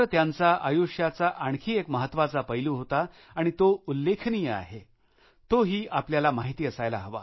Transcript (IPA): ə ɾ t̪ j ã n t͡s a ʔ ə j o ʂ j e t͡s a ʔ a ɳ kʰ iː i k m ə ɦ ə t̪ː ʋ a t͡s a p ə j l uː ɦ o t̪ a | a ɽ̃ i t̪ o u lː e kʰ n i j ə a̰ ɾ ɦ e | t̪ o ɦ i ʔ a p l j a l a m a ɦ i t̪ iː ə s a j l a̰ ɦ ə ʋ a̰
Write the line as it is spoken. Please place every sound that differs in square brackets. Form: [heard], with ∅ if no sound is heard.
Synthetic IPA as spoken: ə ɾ t̪ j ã n t͡s a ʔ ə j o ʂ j [a] t͡s a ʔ a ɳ kʰ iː [e] k m ə ɦ ə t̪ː ʋ a t͡s a p ə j l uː ɦ o t̪ a | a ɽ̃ i t̪ o u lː e kʰ n i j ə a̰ [∅] ɦ e | t̪ o ɦ [iː] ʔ a p l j a l a m a ɦ i t̪ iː ə s a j l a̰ ɦ ə ʋ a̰